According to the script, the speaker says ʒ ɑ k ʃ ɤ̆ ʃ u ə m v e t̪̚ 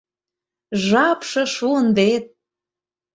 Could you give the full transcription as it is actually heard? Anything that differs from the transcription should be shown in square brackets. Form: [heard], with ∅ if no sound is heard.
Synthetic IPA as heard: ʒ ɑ [p] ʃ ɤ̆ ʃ u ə [n] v e t̪̚